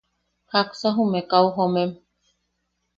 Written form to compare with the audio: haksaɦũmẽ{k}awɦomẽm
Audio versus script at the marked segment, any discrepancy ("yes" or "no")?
no